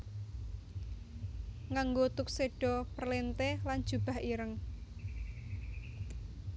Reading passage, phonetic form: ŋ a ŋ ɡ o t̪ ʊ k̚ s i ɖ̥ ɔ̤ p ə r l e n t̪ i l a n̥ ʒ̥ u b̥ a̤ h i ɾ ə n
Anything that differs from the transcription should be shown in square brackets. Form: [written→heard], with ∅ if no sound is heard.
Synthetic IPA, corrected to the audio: ŋ a ŋ ɡ o t̪ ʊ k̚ s [i→e] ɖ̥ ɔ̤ p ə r l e n t̪ [i→e] l a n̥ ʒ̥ u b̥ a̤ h i ɾ ə [n→ŋ]

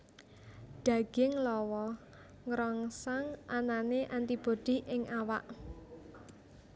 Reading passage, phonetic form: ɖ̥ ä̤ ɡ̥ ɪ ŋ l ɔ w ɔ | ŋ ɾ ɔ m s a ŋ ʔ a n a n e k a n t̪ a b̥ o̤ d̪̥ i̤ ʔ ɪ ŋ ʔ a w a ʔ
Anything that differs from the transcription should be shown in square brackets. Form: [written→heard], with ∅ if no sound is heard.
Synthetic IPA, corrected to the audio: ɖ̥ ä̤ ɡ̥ ɪ ŋ l ɔ w ɔ | ŋ ɾ ɔ [m→ŋ] s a ŋ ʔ a n a n e [k→ʔ] a n t̪ [a→i] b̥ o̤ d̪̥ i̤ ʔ ɪ ŋ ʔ a w a ʔ

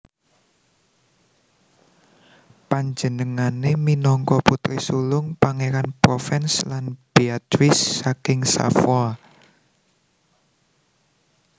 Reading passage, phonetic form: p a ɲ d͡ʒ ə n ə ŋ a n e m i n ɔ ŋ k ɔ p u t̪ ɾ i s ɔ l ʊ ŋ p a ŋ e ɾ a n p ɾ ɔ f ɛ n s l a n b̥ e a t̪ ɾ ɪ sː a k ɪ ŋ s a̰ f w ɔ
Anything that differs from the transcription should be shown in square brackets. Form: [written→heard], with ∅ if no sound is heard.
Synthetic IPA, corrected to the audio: p a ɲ d͡ʒ ə n ə ŋ a n e m i n ɔ ŋ k ɔ p u t̪ ɾ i s [ɔ→u] l ʊ ŋ p a ŋ e ɾ a n p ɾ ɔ f ɛ n s l a n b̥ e a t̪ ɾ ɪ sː a k ɪ ŋ s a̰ f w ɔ

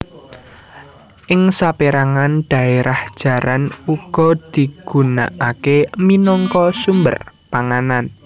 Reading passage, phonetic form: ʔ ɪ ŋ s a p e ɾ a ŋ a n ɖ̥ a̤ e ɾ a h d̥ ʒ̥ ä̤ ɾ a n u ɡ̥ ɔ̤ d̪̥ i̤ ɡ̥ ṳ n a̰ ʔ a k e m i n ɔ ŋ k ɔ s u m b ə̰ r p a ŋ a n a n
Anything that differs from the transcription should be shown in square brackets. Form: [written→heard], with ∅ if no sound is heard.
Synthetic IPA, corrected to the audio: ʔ ɪ ŋ s a p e ɾ a ŋ a n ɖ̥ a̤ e ɾ a h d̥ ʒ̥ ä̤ ɾ a n u ɡ̥ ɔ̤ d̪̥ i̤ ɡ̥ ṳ n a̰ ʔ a k e m i n ɔ ŋ k ɔ s u m b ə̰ r p a ŋ a n a n

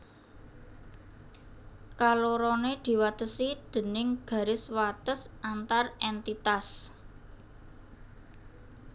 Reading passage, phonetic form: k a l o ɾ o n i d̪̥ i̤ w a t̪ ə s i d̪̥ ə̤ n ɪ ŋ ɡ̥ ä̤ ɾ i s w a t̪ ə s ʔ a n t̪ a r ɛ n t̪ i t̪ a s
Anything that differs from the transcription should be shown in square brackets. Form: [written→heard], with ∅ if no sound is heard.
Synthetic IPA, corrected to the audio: k a l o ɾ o n [i→e] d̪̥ i̤ w a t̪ ə s i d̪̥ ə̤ n ɪ ŋ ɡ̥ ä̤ ɾ [i→ɪ] s w a t̪ ə s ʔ a n t̪ a r ɛ n t̪ i t̪ a s

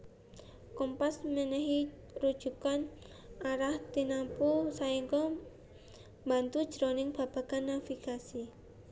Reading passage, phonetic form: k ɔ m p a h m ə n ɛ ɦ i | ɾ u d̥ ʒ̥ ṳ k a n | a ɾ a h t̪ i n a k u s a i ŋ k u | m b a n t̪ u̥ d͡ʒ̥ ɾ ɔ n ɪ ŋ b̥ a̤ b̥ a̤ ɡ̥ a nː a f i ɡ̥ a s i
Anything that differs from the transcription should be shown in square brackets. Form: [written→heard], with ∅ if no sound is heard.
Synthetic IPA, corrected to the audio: k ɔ m p a [h→s] m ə n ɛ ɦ i | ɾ u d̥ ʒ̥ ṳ k a n | a ɾ a h t̪ i n a [k→p] u s a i ŋ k [u→ɔ] | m b a n t̪ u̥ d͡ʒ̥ ɾ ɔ n ɪ ŋ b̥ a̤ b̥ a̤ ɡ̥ a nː a f i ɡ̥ a s i

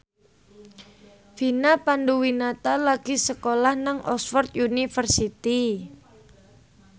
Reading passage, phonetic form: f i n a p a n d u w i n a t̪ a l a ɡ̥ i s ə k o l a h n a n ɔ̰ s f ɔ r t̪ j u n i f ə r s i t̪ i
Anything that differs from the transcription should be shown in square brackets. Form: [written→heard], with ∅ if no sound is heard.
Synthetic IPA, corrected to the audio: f i n a p a n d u w i n a t̪ a l a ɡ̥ i s ə k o l a h n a [n→ŋ] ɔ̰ s f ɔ r t̪ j u n i f ə r s i t̪ i

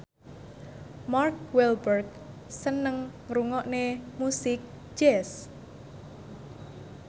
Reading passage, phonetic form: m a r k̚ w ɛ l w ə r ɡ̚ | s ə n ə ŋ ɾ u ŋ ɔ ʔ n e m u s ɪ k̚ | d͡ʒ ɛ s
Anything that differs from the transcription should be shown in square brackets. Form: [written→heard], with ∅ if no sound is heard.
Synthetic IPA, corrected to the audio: m a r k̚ w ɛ l [w→b] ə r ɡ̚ | s ə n ə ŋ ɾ u ŋ ɔ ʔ n e m u s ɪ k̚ | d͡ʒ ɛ s

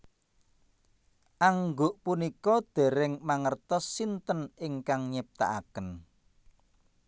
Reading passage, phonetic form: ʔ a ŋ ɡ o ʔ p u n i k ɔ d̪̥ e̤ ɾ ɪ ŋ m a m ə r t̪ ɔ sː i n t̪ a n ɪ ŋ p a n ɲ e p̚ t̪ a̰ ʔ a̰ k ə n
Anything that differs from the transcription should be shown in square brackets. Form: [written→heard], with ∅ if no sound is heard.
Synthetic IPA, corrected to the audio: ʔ a ŋ ɡ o ʔ p u n i k ɔ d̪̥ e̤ ɾ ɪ ŋ m a [m→ŋ] ə r t̪ ɔ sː i n t̪ [a→ə] n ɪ ŋ [p→k] a [n→ŋ] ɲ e p̚ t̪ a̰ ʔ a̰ k ə n

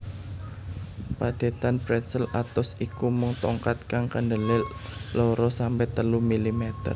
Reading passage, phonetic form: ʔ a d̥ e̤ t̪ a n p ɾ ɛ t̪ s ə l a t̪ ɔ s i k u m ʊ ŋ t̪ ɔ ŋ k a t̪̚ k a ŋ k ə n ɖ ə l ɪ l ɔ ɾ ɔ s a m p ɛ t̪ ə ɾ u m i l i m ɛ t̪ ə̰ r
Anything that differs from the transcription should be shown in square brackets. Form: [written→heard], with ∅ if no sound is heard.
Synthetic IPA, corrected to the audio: [ʔ→p] a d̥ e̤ t̪ a n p ɾ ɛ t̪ s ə l a t̪ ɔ s i k u m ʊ ŋ t̪ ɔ ŋ k a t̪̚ k a ŋ k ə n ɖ ə l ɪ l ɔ ɾ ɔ s a m p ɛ t̪ ə [ɾ→l] u m i l i m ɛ t̪ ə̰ r

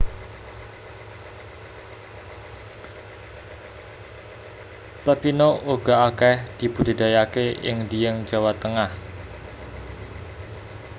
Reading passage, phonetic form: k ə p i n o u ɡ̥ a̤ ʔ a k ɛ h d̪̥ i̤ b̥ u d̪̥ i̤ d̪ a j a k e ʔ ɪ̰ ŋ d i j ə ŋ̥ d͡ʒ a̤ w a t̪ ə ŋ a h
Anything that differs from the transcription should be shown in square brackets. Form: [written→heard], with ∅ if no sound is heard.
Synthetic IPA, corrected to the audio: [k→p] ə p i n o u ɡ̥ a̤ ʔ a k ɛ h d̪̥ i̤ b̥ u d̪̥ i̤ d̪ a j a k e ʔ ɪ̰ ŋ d i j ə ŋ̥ d͡ʒ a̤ w a t̪ ə ŋ a h

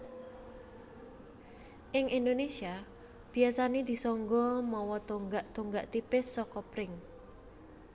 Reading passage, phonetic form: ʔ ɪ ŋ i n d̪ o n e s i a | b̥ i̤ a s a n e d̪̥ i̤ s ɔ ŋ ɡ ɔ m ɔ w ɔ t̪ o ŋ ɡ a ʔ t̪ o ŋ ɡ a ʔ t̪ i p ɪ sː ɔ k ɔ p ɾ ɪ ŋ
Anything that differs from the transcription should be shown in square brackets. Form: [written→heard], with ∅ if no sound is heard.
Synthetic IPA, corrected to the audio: ʔ ɪ ŋ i n d̪ o n e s i a | b̥ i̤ a s a n e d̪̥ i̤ s ɔ ŋ ɡ ɔ m ɔ w ɔ t̪ o ŋ ɡ a ʔ t̪ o ŋ ɡ a ʔ t̪ i p ɪ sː ɔ k ɔ p ɾ ɪ ŋ

